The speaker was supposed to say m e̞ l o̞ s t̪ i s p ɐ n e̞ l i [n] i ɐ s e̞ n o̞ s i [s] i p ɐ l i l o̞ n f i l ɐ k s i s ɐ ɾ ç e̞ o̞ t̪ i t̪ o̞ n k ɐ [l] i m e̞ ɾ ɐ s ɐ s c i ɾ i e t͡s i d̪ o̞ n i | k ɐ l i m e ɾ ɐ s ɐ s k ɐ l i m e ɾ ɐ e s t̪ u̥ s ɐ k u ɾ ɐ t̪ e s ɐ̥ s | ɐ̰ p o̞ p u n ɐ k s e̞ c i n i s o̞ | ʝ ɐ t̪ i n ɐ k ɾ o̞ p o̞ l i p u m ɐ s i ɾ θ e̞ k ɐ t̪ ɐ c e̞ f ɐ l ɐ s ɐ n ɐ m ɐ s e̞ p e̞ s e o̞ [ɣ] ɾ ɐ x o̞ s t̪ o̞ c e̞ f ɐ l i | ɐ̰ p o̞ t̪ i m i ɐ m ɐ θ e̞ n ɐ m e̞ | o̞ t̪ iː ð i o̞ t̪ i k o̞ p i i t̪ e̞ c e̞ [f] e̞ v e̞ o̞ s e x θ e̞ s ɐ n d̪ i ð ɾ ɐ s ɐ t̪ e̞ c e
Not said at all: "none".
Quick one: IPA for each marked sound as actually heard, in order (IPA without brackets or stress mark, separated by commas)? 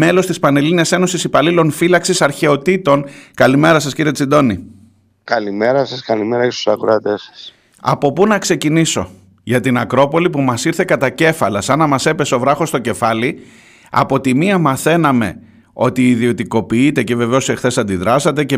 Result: n, s, l, v, v